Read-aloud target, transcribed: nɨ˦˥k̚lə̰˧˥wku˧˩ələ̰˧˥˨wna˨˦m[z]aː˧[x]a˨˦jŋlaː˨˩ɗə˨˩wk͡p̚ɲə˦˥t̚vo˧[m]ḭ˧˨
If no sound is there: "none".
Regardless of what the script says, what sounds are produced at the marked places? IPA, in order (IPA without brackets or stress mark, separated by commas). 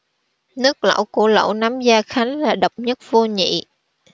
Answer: z, x, ɲ